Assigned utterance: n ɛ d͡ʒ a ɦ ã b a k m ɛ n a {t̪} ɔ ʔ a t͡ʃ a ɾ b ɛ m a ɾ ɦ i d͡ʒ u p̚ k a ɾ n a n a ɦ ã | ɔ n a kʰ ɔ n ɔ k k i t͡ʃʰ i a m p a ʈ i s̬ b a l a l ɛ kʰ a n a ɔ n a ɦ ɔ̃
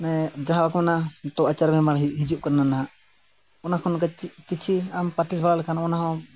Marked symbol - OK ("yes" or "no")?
yes